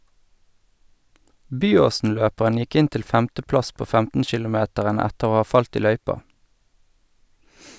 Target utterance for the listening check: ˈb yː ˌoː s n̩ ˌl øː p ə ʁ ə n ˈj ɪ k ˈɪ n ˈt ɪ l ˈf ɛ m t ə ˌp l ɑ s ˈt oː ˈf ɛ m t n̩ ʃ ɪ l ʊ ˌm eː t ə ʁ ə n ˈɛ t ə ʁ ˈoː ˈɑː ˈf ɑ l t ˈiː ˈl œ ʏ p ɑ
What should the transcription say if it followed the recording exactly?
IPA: ˈb yː ˌoː s n̩ ˌl øː p ə ʁ ə n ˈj ɪ k ˈɪ n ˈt ɪ l ˈf ɛ m t ə ˌp l ɑ s ˈp oː ˈf ɛ m t n̩ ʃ ɪ l ʊ ˌm eː t ə ʁ ə n ˈɛ t ə ʁ ˈoː ˈɑː ˈf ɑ l t ˈiː ˈl œ ʏ p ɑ

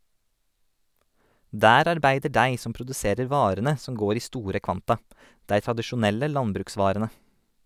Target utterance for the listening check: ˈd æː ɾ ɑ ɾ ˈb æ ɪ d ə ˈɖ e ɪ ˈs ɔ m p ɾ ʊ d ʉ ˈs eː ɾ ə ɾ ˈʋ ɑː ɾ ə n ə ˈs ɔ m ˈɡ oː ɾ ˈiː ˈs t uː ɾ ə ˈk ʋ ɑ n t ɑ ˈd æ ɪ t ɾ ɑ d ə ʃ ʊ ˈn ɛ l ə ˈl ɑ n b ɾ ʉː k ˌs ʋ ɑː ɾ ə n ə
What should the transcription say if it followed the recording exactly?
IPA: ˈd æː ɾ ɑ ɾ ˈb æ ɪ d ə ˈɖ æ ɪ ˈs ɔ m p ɾ ʊ d ʉ ˈs eː ɾ ə ɾ ˈʋ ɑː ɾ ə n ə ˈs ɔ m ˈɡ oː ɾ ˈiː ˈs t uː ɾ ə ˈk ʋ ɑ n t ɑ ˈd æ ɪ t ɾ ɑ d ə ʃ ʊ ˈn ɛ l ə ˈl ɑ n b ɾ ʉː k ˌs ʋ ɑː ɾ ə n ə

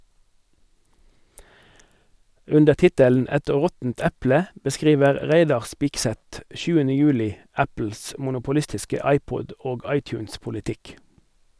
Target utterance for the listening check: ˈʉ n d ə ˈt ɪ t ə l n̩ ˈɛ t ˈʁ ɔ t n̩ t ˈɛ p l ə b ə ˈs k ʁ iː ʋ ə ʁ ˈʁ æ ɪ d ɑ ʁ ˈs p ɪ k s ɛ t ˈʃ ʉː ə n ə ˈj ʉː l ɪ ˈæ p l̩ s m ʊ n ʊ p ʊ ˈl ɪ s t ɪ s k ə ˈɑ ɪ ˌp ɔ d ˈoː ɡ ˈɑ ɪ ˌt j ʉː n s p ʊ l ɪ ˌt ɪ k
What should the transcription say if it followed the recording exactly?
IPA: ˈʉ n d ə ˈt ɪ t ə l n̩ ˈɛ t ˈʁ ɔ t n̩ t ˈɛ p l ə b ə ˈs k ʁ iː ʋ ə ʁ ˈʁ æ ɪ d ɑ ʁ ˈs p ɪ k s ɛ t ˈʃ ʉː ə n ə ˈj ʉː l ɪ ˈæ p l̩ s m ʊ n ʊ p ʊ ˈl ɪ s t ɪ s k ə ˈɑ ɪ ˌp ɔ d ˈoː ɡ ˈɑ ɪ ˌt j ʉː n s p ʊ l ɪ ˌt ɪ k

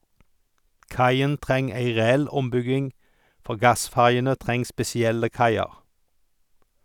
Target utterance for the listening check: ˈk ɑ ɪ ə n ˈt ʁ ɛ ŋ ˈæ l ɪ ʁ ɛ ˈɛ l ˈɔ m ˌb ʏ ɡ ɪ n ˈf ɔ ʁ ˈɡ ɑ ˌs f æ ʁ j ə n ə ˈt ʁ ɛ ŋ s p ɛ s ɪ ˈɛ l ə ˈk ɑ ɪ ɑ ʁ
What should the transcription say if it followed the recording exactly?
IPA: ˈk ɑ ɪ ə n ˈt ʁ ɛ ŋ ˈæ ɪ ʁ ɛ ˈɛ l ˈɔ m ˌb ʏ ɡ ɪ ŋ ˈf ɔ ʁ ˈɡ ɑ ˌs f æ ʁ j ə n ə ˈt ʁ ɛ ŋ s p ɛ s ɪ ˈɛ l ə ˈk ɑ ɪ ɑ ʁ

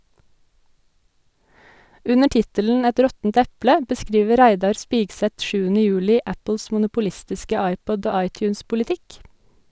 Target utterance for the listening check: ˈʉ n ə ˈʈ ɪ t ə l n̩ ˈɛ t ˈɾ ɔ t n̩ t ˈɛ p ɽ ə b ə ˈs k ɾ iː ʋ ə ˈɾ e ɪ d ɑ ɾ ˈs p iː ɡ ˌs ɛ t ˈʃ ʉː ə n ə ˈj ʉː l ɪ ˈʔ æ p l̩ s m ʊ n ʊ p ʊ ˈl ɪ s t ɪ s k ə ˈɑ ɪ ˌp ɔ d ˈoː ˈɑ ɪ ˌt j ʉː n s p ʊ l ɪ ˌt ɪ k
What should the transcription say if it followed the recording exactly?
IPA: ˈʉ n ə ˈʈ ɪ t ə l n̩ ˈɛ t ˈɾ ɔ t n̩ t ˈɛ p l ə b ə ˈs k ɾ iː ʋ ə ˈɾ æ ɪ d ɑ ɾ ˈs p iː ɡ ˌs ɛ t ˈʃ ʉː ə n ə ˈj ʉː l ɪ ˈʔ æ p l̩ s m ʊ n ʊ p ʊ ˈl ɪ s t ɪ s k ə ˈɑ ɪ ˌp ɔ d ˈoː ˈɑ ɪ ˌt j ʉː n s p ʊ l ɪ ˌt ɪ k

